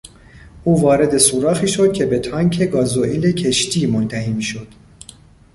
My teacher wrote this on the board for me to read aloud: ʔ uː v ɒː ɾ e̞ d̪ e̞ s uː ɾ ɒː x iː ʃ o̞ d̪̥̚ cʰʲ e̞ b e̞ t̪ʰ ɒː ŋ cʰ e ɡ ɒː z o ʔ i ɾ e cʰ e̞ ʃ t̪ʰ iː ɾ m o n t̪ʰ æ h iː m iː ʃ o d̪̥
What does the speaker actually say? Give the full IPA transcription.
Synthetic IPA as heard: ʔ uː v ɒː ɾ e̞ d̪ e̞ s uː ɾ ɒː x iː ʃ o̞ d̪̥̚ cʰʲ e̞ b e̞ t̪ʰ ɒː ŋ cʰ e ɡ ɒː z o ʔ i l e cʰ e̞ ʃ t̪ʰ iː m o n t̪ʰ æ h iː m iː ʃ o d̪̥